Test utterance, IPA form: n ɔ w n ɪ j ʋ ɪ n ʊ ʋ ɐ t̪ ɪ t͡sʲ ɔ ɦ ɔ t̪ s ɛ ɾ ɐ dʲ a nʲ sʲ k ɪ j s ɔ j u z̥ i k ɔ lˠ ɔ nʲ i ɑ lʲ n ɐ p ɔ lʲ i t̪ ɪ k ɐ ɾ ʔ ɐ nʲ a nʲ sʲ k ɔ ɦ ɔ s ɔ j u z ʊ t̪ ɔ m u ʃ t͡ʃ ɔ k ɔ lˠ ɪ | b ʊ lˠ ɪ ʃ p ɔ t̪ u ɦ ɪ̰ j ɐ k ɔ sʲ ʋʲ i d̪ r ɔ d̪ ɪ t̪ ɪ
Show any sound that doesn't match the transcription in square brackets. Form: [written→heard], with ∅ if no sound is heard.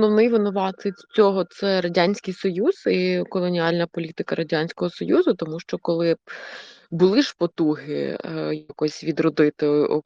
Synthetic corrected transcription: n ɔ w n ɪ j ʋ ɪ n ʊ ʋ [ɐ→ɑ] t̪ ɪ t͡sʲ ɔ ɦ ɔ t̪ s ɛ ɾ ɐ dʲ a nʲ sʲ k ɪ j s ɔ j u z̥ i k ɔ lˠ ɔ nʲ i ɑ lʲ n ɐ p ɔ lʲ i t̪ ɪ k ɐ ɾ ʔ ɐ [nʲ→dʲ] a nʲ sʲ k ɔ ɦ ɔ s ɔ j u z ʊ t̪ ɔ m u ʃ t͡ʃ ɔ k ɔ lˠ ɪ | b ʊ lˠ ɪ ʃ p ɔ t̪ u ɦ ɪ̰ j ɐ k ɔ sʲ ʋʲ i d̪ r ɔ d̪ ɪ t̪ ɪ